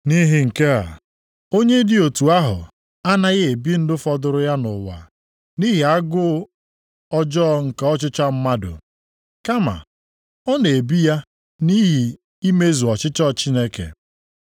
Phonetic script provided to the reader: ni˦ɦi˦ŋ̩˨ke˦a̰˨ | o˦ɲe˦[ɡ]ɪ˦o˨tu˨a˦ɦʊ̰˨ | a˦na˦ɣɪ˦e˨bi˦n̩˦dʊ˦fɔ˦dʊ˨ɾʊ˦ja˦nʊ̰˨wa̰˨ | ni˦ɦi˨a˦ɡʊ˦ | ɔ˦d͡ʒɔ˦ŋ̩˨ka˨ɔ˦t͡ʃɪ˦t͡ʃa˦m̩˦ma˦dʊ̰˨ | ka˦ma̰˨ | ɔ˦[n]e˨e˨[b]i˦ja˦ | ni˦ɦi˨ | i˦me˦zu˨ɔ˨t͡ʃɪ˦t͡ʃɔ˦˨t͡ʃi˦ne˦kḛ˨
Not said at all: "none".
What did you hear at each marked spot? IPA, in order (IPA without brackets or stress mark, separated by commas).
d, n, b